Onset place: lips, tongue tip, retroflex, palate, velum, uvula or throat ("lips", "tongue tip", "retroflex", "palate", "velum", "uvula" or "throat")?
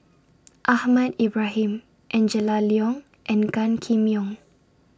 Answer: throat